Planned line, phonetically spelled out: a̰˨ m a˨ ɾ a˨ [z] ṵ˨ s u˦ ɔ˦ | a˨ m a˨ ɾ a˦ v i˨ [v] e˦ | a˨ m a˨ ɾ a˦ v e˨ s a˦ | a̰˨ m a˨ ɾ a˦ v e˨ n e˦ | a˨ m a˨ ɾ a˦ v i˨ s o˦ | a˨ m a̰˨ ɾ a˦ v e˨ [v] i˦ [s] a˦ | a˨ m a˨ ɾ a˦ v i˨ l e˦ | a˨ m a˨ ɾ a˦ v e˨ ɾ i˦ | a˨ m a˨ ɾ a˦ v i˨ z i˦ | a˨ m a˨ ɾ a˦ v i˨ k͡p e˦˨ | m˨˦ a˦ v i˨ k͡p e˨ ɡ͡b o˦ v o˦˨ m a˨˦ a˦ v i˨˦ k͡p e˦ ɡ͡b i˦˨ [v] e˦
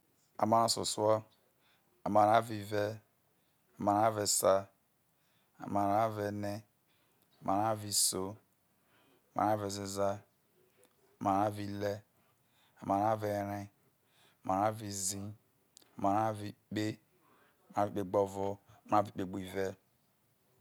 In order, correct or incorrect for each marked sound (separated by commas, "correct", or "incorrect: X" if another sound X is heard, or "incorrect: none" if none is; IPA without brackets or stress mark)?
incorrect: s, correct, incorrect: z, incorrect: z, correct